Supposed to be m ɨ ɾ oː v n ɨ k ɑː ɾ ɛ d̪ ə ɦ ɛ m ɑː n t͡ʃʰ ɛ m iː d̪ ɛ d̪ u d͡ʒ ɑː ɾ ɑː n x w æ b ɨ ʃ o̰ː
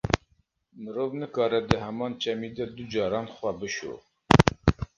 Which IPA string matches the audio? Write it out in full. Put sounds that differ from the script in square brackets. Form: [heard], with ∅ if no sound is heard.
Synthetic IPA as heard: m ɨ ɾ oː v n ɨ k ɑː ɾ ɛ d̪ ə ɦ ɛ m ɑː n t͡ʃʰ ɛ m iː d̪ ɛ d̪ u d͡ʒ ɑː ɾ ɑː n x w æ b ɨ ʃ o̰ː